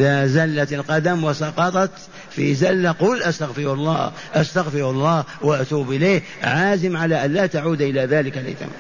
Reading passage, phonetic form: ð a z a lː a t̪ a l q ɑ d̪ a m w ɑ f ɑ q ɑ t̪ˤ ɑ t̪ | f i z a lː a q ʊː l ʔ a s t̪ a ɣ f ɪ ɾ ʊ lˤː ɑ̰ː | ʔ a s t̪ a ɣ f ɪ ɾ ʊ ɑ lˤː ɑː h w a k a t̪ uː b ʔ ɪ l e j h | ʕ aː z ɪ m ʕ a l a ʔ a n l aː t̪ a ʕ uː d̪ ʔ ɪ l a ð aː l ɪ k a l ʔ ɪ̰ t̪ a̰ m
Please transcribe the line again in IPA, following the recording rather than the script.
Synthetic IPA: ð a z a lː a t̪ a l q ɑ d̪ a m w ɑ s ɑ q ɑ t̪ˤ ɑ t̪ | f i z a lː a q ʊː l ʔ a s t̪ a ɣ f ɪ ɾ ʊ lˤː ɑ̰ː | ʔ a s t̪ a ɣ f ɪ ɾ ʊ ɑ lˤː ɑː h w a ʔ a t̪ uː b ʔ ɪ l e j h | ʕ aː z ɪ m ʕ a l a ʔ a n l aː t̪ a ʕ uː d̪ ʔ ɪ l a ð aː l ɪ k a l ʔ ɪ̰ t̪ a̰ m